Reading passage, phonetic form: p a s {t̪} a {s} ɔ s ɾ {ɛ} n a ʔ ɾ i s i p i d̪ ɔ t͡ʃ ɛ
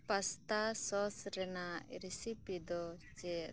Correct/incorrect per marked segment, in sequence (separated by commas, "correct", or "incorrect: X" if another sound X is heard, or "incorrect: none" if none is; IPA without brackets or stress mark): correct, correct, correct